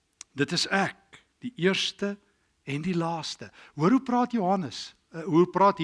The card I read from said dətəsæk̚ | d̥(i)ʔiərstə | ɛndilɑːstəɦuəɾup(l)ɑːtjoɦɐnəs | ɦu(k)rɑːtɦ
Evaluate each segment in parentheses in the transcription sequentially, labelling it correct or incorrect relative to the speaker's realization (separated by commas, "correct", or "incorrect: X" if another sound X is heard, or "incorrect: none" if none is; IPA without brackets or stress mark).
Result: correct, incorrect: r, incorrect: p